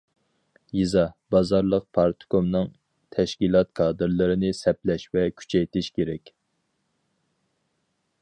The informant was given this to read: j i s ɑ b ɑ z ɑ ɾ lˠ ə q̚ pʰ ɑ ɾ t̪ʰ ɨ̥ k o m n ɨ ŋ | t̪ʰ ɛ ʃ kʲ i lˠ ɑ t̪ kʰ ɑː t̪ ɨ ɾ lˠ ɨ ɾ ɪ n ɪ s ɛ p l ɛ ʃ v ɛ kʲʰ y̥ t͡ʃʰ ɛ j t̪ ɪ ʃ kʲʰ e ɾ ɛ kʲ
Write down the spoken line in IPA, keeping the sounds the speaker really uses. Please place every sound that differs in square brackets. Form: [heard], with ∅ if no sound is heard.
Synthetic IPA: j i [z] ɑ b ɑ z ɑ ɾ lˠ ə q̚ pʰ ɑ ɾ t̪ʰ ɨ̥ k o m n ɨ ŋ | t̪ʰ ɛ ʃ kʲ i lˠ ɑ t̪ kʰ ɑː [d̪] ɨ ɾ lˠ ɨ ɾ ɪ n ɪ s ɛ p l ɛ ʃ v ɛ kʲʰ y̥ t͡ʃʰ ɛ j t̪ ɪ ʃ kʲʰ e ɾ ɛ kʲ